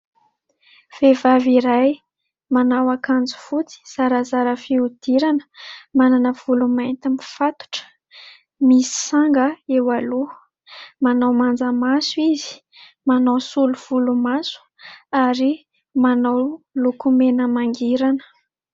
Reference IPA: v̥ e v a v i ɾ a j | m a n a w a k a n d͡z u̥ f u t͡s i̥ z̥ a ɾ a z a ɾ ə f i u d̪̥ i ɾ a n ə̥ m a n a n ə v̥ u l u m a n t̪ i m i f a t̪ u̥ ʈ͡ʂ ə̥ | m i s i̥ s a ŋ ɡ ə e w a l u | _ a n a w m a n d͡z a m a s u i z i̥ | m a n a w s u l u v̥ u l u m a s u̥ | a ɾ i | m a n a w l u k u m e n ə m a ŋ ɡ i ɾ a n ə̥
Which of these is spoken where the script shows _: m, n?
m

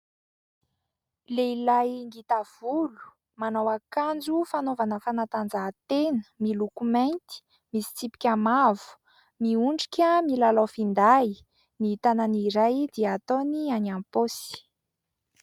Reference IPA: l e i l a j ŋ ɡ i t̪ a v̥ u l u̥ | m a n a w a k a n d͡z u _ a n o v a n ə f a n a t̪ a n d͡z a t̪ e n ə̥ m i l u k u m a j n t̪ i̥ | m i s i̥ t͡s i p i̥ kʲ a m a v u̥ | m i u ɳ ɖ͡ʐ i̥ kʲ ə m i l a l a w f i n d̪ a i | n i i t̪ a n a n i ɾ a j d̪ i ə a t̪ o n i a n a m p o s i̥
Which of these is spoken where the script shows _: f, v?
f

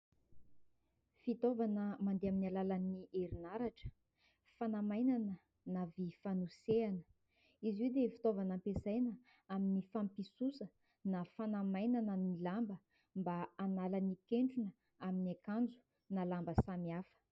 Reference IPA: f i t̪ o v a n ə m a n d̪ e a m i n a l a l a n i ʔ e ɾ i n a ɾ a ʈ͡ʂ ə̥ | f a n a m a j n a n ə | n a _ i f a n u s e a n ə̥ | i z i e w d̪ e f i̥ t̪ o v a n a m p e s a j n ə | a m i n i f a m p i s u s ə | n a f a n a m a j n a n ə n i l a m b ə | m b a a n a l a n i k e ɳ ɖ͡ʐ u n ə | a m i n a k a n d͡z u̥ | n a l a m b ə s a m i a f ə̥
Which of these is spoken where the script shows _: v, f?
v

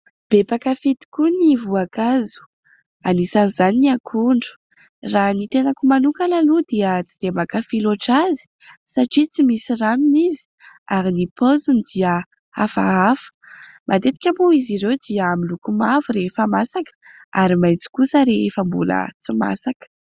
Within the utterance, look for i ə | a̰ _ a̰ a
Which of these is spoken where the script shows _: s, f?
f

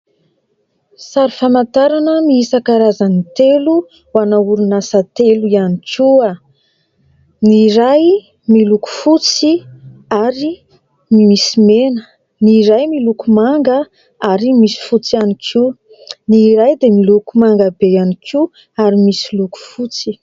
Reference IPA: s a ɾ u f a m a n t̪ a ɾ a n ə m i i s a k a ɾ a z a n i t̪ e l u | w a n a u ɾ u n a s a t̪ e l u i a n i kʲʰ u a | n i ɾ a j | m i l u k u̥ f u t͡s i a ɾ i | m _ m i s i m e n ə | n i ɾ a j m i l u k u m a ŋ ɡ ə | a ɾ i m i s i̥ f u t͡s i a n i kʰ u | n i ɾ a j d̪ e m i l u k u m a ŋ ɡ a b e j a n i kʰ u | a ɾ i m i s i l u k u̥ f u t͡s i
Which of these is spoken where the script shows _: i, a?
i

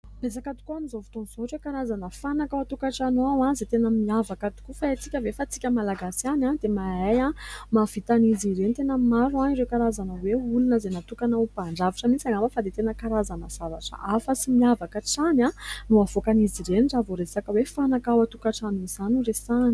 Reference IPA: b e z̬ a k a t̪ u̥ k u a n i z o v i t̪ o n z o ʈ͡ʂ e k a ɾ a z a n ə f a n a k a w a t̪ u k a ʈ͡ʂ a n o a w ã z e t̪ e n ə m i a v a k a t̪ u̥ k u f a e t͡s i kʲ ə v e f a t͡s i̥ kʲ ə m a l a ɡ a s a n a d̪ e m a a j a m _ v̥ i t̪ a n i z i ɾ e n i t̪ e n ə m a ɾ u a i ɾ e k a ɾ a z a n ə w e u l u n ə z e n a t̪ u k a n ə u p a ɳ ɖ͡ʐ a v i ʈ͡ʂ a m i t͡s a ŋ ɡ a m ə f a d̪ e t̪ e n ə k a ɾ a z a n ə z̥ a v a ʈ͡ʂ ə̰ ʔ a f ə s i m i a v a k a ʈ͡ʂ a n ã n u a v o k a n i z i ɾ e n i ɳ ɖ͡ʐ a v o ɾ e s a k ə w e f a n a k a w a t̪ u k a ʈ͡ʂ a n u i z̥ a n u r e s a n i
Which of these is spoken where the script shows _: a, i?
a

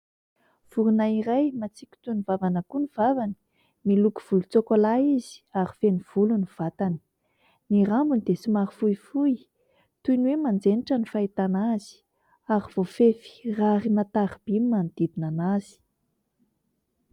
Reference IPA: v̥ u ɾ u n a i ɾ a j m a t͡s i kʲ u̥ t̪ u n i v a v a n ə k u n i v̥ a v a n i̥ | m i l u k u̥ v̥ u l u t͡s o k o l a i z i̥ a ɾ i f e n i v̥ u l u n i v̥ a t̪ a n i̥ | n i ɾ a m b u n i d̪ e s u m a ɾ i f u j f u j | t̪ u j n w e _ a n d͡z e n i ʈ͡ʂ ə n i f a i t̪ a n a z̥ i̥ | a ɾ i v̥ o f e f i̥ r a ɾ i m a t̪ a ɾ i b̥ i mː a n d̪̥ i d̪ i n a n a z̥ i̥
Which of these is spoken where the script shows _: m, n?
m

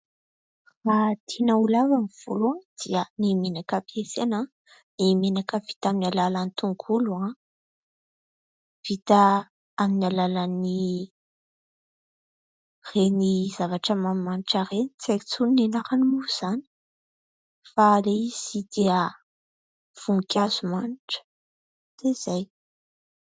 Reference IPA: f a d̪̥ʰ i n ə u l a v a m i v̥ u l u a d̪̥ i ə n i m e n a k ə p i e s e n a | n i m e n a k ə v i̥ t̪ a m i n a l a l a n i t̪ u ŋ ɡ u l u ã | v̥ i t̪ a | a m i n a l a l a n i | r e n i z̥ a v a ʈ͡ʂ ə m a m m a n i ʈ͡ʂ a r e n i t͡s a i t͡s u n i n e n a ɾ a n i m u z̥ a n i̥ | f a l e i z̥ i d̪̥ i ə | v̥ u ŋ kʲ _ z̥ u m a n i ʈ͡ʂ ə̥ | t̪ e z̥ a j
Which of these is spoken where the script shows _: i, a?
a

